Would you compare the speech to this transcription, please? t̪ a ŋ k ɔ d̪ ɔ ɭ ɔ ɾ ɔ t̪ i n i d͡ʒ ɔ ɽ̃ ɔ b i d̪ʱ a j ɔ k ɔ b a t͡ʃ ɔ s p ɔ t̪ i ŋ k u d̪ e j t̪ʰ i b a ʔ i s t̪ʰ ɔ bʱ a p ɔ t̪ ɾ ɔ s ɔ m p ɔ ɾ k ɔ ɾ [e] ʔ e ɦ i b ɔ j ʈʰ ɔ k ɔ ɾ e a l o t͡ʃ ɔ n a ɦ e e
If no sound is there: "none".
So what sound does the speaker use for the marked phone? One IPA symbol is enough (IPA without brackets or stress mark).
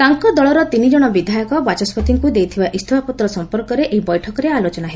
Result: e